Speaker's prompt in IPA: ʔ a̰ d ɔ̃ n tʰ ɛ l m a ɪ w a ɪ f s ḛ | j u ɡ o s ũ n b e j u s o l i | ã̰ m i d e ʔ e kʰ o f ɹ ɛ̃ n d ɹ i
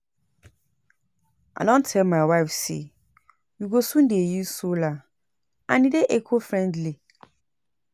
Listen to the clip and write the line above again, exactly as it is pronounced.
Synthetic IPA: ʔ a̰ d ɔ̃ n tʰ ɛ l m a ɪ w a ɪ f s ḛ | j u ɡ o s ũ n d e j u s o l a | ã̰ n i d e ʔ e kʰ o f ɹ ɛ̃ n d l i